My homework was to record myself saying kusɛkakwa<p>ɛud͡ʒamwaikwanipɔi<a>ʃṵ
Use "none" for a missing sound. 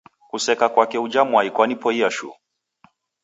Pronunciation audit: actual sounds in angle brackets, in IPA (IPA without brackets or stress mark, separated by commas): k, a